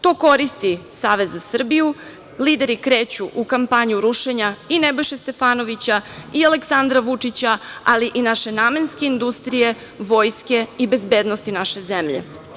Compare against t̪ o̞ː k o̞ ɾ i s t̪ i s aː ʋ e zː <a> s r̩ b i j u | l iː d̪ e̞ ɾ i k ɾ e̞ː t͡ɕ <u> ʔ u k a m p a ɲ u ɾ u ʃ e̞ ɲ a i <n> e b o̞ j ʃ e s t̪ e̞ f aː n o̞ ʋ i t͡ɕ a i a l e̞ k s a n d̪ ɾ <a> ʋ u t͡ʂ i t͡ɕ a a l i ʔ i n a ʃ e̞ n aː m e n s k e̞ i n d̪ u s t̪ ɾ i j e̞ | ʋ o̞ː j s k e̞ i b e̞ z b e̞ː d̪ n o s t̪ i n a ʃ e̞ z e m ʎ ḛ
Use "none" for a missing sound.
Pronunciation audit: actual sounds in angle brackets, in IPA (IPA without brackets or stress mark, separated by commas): a, u, n, a